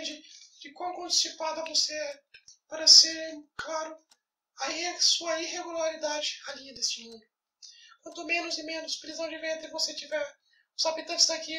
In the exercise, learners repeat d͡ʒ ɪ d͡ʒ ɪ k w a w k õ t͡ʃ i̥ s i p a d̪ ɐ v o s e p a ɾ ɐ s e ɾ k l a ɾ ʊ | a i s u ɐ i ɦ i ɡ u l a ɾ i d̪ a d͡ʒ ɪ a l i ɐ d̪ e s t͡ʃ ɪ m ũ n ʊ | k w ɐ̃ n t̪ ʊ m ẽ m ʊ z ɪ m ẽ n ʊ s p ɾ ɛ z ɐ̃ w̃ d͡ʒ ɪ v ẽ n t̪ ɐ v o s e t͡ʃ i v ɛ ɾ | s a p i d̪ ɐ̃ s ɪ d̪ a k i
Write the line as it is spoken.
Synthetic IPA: d͡ʒ ɪ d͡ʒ ɪ k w a w k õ t͡ʃ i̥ s i p a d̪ ɐ v o s e p a ɾ ɐ s e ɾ k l a ɾ ʊ | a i s u ɐ i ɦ e ɡ u l a ɾ i d̪ a d͡ʒ ɪ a l i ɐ d̪ e s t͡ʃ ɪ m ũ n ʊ | k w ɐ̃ n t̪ ʊ m ẽ n ʊ z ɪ m ẽ n ʊ s p ɾ i z ɐ̃ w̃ d͡ʒ ɪ v ẽ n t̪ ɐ v o s e t͡ʃ i v ɛ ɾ | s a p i t̪ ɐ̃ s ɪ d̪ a k i